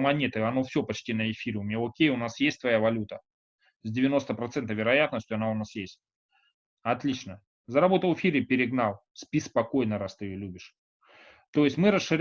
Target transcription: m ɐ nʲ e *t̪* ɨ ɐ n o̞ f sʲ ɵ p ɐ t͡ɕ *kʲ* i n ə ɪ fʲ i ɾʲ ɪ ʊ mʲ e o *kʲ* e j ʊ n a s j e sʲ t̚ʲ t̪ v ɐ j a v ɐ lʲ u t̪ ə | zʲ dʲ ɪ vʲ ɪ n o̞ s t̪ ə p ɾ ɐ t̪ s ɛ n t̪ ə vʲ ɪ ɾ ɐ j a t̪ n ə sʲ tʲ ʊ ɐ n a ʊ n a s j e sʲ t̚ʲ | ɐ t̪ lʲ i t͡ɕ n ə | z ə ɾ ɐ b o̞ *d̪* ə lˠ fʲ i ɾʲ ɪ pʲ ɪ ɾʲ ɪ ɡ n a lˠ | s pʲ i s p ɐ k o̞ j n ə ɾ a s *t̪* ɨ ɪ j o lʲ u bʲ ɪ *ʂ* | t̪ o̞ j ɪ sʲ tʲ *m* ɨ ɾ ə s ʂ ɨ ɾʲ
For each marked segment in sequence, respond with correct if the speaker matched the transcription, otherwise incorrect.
correct, incorrect: tʲ, correct, incorrect: t̪, correct, correct, correct

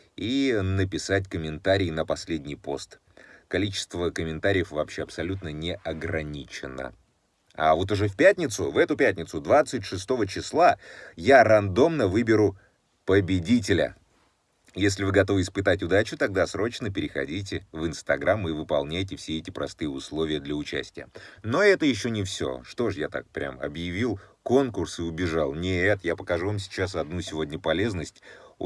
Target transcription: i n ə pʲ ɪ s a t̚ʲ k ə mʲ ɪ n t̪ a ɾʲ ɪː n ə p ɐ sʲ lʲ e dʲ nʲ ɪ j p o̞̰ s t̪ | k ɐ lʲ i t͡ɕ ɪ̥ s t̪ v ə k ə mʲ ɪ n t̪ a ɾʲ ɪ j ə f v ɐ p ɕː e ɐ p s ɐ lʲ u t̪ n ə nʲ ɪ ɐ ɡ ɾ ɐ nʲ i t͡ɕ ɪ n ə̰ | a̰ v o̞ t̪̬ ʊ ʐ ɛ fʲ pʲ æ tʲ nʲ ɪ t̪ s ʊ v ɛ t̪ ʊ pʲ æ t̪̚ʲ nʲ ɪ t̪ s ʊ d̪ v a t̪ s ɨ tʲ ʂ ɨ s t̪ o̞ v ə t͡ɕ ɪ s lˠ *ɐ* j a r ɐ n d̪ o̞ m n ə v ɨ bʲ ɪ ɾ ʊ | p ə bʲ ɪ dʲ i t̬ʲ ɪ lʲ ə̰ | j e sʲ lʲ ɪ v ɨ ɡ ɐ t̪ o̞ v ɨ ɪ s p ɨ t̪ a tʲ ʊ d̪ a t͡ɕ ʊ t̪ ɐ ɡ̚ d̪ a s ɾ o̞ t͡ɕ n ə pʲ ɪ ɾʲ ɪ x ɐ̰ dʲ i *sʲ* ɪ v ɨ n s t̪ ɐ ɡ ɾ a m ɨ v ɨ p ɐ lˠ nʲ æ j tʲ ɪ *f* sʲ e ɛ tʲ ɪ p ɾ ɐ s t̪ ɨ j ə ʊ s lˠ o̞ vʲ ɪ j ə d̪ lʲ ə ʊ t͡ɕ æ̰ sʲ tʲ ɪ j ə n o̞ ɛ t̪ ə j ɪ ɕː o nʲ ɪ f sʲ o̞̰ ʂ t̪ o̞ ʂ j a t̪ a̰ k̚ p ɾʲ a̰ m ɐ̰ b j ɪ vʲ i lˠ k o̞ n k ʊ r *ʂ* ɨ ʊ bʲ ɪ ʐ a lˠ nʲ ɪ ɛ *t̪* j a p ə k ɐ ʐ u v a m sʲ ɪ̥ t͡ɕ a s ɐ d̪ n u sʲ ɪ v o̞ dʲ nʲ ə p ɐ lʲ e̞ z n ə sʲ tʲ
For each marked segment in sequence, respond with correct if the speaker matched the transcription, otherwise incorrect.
incorrect: a, incorrect: tʲ, correct, incorrect: s, correct

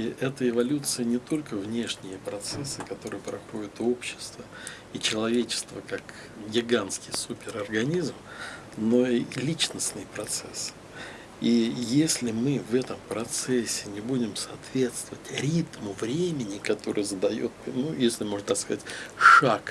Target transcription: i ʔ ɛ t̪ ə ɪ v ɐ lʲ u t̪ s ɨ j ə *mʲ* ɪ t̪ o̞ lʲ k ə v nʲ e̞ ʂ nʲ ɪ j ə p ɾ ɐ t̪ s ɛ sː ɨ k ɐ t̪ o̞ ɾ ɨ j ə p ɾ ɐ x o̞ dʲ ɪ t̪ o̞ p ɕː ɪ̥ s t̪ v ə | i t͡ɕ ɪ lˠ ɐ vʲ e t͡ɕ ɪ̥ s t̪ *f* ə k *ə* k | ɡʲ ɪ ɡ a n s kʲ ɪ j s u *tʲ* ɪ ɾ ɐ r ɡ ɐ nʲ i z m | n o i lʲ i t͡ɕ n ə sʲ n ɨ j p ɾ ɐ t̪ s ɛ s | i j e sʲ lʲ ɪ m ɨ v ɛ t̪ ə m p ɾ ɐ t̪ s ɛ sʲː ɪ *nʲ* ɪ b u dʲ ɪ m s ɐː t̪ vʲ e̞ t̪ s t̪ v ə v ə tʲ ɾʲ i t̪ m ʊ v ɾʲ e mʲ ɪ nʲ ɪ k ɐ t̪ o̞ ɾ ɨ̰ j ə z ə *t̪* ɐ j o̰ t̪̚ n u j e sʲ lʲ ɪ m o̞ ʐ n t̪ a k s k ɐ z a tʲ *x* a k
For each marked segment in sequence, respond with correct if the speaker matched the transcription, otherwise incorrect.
incorrect: nʲ, incorrect: v, incorrect: a, incorrect: pʲ, correct, incorrect: d̪, incorrect: ʂ

